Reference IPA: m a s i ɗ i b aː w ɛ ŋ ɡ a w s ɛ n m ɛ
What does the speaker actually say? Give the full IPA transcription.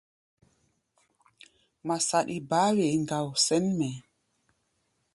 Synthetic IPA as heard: m a s a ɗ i b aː w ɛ ŋ ɡ a w s ɛ n m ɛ